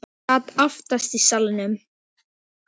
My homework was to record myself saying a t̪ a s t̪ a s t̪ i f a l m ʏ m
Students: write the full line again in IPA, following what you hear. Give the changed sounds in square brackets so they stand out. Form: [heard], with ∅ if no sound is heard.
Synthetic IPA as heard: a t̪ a [f] t̪ a s t̪ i [s] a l [n] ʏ m